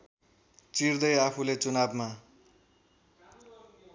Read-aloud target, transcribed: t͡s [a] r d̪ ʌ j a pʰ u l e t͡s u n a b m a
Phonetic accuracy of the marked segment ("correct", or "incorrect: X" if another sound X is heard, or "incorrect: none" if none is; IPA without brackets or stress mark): incorrect: i